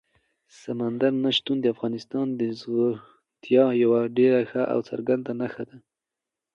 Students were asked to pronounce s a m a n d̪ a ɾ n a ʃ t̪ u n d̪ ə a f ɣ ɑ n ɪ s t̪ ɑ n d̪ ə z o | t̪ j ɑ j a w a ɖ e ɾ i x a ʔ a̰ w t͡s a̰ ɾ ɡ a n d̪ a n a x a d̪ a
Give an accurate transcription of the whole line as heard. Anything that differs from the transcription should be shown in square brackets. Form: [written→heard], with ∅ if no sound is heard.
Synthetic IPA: s a m a n d̪ a ɾ n a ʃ t̪ u n d̪ ə a f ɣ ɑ n ɪ s t̪ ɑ n d̪ ə z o | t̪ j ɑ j a w a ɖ e ɾ [i→a] x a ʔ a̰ w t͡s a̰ ɾ ɡ a n d̪ a n a x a d̪ a